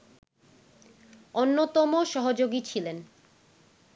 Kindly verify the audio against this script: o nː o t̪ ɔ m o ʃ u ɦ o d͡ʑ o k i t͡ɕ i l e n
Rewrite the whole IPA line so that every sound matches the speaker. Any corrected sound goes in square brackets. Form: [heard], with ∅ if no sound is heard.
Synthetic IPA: o nː o t̪ ɔ m o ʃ [ɔ] ɦ o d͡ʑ o [ɡ] i [t͡ɕʰ] i l e n

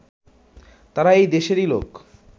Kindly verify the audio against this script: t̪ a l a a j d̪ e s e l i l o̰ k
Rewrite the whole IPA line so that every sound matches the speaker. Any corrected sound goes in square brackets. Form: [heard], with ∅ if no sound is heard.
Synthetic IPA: t̪ a [ɾ] a [e] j d̪ e [ʃ] e [ɾ] i l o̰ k

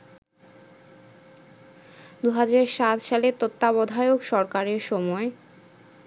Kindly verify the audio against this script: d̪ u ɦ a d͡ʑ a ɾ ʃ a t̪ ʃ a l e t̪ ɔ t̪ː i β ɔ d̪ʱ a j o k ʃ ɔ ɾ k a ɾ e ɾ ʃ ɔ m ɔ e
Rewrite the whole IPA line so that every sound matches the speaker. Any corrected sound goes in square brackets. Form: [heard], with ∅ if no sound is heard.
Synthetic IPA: d̪ u ɦ a d͡ʑ a ɾ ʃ a t̪ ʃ a l e t̪ [o] t̪ː [a] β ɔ d̪ʱ a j o k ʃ ɔ ɾ k a ɾ e ɾ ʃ ɔ m ɔ e

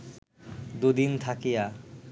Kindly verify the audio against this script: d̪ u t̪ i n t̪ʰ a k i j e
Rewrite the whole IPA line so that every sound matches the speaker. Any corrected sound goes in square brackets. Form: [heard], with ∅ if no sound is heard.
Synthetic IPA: d̪ u [d̪] i n t̪ʰ a k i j [a]

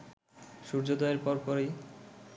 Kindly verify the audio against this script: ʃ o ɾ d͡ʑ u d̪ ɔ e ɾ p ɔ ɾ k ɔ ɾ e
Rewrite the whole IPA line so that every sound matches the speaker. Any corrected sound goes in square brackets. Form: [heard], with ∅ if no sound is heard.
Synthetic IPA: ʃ [u] ɾ d͡ʑ [o] d̪ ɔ e ɾ p ɔ ɾ [p] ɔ ɾ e

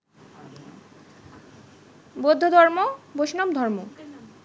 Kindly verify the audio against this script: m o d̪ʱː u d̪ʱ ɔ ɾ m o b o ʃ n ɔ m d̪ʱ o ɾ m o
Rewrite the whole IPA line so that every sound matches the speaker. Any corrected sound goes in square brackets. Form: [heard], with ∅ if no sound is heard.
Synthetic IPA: [b] o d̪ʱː [o] d̪ʱ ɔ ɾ m o b o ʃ n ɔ m d̪ʱ [ɔ] ɾ m o

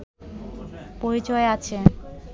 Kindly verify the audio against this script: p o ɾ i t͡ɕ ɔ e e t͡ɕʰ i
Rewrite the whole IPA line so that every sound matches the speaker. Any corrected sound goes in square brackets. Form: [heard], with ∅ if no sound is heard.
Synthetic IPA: p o ɾ i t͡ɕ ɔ e [a] t͡ɕʰ [e]

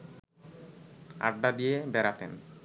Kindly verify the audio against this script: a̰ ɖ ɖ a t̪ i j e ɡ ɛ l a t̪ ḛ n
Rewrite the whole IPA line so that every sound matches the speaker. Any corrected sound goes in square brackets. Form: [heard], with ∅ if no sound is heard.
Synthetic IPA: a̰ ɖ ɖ a [d̪] i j e [b] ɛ [ɾ] a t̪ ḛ n

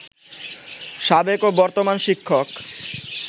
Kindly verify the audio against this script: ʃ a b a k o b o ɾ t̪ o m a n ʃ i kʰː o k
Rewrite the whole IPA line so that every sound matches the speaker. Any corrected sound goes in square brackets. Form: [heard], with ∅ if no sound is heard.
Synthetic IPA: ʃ a b [e] k o b [ɔ] ɾ t̪ o m a n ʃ i kʰː o k

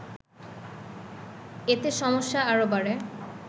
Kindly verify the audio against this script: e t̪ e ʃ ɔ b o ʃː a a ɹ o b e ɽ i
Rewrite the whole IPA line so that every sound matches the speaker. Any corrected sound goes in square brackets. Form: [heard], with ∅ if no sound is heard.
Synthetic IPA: e t̪ e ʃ ɔ [m] o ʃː a a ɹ o b [a] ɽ [e]

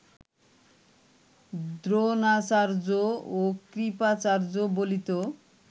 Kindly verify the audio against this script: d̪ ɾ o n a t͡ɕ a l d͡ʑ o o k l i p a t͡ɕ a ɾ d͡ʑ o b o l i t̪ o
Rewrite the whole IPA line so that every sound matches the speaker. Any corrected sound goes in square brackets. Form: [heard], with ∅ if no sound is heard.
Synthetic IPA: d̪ ɾ o n a t͡ɕ a [ɾ] d͡ʑ o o k [ɾ] i p a t͡ɕ a ɾ d͡ʑ o b o l i t̪ o

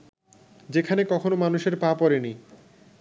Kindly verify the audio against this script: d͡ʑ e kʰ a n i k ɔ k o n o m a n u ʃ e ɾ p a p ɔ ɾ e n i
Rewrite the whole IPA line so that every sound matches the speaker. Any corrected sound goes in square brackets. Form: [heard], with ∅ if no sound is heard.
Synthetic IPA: d͡ʑ e kʰ a n [e] k ɔ [kʰ] o n o m a n u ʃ e ɾ p a p ɔ ɾ e n i

